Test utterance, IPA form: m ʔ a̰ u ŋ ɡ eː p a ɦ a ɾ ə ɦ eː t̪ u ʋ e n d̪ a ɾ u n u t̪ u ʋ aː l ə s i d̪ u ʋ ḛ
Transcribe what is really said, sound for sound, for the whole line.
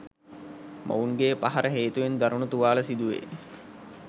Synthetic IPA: m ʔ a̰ u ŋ ɡ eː p a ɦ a ɾ ə ɦ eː t̪ u ʋ e n d̪ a ɾ u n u t̪ u ʋ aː l ə s i d̪ u ʋ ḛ